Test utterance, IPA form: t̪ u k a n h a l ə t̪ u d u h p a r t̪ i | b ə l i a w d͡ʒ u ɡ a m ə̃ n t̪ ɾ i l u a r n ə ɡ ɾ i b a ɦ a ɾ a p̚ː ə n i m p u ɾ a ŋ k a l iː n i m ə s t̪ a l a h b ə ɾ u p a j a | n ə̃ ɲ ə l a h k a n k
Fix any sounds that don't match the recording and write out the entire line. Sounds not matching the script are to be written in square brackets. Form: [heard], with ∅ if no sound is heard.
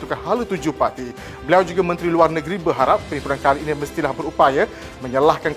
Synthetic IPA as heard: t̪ u k a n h a l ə t̪ u [d͡ʒ] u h p a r t̪ i | b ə l i a w d͡ʒ u ɡ a m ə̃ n t̪ ɾ i l u a r n ə ɡ ɾ i b [ə] ɦ a ɾ a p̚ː ə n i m p u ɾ a [n] k a l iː n i m ə s t̪ [i] l a h b ə ɾ u p a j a | [m] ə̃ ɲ ə l a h k a n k